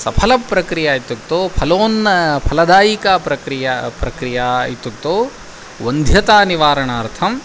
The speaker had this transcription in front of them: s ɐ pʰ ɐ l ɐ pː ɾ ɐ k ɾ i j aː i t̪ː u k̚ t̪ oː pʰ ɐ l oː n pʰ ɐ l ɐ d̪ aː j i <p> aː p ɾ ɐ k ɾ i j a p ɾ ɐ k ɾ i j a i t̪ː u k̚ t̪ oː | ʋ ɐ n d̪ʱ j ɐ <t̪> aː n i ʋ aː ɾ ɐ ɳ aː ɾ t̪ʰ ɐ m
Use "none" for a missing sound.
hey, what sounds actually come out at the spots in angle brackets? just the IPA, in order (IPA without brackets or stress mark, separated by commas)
k, t̪